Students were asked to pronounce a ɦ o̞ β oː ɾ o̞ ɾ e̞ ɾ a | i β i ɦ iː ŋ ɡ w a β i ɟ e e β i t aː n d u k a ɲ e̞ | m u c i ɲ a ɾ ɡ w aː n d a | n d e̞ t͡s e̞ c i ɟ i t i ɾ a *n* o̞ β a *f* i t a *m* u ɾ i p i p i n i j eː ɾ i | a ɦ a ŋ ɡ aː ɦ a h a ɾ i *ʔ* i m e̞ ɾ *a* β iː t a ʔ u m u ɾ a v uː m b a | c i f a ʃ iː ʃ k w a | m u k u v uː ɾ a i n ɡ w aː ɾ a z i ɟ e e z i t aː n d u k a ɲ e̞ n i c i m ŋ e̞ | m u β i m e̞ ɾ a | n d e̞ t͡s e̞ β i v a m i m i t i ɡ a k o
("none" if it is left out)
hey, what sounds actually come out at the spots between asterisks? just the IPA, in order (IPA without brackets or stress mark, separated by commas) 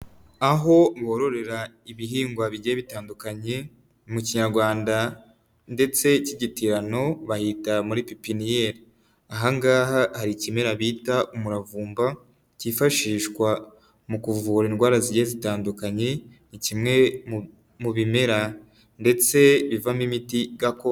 n, h, m, c, a